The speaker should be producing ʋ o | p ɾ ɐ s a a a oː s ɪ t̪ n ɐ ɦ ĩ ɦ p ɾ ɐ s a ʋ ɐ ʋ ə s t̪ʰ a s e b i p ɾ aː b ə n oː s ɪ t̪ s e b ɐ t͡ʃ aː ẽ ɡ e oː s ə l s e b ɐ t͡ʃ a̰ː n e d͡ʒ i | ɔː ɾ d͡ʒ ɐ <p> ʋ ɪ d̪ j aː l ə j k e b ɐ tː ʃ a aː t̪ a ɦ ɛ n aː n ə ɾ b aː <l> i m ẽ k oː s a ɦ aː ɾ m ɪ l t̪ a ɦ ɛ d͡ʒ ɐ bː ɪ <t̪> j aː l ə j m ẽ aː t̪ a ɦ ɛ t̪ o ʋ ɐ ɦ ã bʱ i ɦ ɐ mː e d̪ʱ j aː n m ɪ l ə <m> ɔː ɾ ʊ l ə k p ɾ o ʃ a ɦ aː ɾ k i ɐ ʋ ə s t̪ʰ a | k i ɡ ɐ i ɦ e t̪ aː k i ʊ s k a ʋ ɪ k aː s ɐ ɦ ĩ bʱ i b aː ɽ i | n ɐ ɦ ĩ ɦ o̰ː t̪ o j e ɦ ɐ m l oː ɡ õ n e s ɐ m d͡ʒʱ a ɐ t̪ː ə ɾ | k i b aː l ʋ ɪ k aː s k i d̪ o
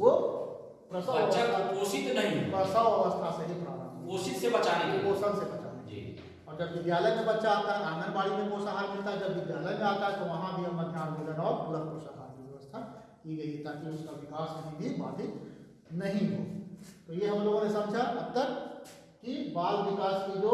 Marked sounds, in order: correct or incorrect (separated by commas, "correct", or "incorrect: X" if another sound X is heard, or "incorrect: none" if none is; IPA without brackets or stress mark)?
incorrect: b, incorrect: ɽ, incorrect: d̪, incorrect: n